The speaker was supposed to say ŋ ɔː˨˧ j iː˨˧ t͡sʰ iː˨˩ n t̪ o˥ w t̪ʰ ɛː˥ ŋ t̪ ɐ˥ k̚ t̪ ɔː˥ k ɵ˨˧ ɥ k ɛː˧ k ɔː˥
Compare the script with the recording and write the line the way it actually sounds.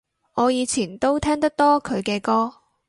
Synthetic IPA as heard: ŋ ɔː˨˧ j iː˨˧ t͡sʰ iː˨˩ n t̪ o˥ w t̪ʰ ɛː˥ ŋ t̪ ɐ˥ k̚ t̪ ɔː˥ kʰ ɵ˨˧ ɥ k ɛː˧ k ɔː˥